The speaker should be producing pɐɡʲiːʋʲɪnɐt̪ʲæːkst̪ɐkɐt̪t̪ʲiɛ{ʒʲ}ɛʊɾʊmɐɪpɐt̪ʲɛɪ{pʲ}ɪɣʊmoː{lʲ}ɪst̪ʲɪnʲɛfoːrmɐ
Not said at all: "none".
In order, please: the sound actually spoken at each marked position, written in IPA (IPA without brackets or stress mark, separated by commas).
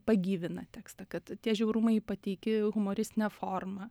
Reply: ʒʲ, kʲ, ɾʲ